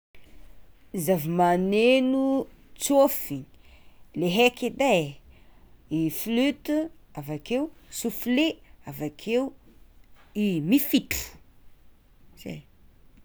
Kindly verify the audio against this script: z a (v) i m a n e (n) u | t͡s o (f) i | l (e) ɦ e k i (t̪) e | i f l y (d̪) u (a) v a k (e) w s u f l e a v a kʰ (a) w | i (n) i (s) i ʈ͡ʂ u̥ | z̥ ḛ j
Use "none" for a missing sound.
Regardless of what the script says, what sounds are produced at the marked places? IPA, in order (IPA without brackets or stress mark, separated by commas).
v, n, f, e, d̪, t̪, a, e, e, m, f